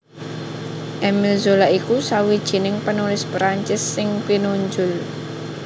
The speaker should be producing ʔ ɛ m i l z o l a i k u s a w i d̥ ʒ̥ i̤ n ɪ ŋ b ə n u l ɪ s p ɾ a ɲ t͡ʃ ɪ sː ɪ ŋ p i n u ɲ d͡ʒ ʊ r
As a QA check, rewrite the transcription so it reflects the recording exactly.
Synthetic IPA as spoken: ʔ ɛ m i l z o l a i k u s a w i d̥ ʒ̥ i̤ n ɪ ŋ p ə n u l ɪ s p ɾ a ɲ t͡ʃ ɪ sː ɪ ŋ p i n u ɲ d͡ʒ ʊ l